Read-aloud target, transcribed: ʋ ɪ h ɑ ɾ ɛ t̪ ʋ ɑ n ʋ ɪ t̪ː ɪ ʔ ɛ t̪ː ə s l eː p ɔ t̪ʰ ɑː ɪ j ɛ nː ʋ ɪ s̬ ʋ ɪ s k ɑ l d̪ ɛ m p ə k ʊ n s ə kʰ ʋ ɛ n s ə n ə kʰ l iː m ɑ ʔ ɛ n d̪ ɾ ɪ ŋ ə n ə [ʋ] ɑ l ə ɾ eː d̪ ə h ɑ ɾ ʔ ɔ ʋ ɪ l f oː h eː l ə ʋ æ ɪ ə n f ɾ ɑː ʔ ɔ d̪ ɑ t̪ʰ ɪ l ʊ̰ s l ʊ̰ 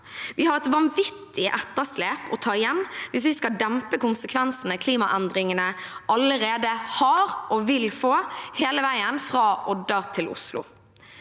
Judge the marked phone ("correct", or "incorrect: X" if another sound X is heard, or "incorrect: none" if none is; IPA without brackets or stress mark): incorrect: none